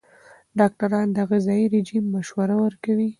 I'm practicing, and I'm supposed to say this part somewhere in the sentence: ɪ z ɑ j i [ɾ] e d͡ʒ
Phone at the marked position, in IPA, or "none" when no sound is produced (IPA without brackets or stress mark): ɾ